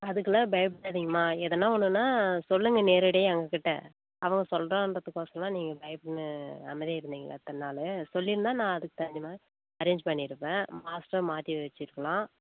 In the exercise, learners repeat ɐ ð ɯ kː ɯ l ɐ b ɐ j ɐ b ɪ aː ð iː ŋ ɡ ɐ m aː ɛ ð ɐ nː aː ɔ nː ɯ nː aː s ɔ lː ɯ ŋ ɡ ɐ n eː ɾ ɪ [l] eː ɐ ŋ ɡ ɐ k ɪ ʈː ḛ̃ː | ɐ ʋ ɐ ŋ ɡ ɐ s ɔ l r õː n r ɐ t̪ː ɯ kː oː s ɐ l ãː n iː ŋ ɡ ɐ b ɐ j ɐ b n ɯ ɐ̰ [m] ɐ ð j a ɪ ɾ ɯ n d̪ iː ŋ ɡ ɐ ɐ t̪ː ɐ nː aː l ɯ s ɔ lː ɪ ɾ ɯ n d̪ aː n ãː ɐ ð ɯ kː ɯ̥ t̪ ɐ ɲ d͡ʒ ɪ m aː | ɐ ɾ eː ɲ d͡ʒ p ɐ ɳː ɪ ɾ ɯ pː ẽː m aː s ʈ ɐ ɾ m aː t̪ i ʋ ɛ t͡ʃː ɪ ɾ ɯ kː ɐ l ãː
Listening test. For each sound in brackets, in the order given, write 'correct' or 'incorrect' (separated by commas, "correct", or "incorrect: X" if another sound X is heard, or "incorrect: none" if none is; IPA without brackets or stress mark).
incorrect: ɽ, correct